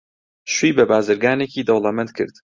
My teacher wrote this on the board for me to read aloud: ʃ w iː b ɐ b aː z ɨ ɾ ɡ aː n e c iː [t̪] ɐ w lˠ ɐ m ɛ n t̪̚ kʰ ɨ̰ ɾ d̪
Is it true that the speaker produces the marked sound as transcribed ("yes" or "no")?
no